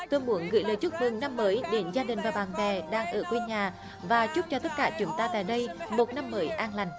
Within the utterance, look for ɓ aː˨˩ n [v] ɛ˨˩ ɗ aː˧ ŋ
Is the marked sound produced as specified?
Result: yes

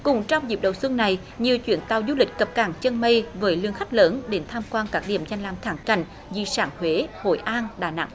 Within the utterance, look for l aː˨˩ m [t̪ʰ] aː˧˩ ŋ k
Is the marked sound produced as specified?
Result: yes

